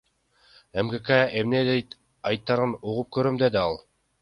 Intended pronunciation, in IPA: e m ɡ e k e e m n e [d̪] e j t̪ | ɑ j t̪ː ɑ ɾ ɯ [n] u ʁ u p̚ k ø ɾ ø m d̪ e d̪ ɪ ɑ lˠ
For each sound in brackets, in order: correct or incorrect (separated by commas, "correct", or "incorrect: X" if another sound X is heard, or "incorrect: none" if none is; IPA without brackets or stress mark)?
correct, correct